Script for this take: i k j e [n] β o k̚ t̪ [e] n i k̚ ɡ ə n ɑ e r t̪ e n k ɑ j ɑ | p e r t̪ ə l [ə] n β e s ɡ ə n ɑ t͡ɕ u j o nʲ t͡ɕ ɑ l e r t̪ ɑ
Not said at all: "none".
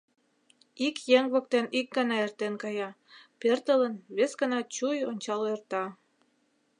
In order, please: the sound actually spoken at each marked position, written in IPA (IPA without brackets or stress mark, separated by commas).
ŋ, e, ə